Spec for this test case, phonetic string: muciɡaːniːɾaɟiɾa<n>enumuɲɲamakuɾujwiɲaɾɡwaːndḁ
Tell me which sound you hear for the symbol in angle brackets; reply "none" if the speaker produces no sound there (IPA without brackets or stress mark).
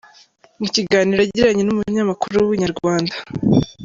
ɲ